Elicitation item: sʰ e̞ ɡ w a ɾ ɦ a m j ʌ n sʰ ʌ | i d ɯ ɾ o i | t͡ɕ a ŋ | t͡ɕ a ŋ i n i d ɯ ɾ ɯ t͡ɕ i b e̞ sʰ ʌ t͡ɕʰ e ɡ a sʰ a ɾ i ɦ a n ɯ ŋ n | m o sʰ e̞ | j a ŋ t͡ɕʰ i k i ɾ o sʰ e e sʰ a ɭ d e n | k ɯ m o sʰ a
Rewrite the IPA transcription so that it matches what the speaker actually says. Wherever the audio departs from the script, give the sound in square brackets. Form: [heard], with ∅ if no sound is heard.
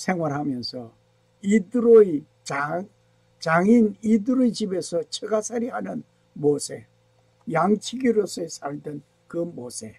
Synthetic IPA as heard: sʰ e̞ [ŋ] w a ɾ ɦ a m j ʌ n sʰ ʌ | i d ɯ ɾ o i | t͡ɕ a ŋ | t͡ɕ a ŋ i n i d ɯ ɾ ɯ t͡ɕ i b e̞ sʰ ʌ t͡ɕʰ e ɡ a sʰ a ɾ i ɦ a n ɯ [∅] n | m o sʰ e̞ | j a ŋ t͡ɕʰ i [ɡ] i ɾ o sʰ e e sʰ a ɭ d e n | k ɯ m o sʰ [e]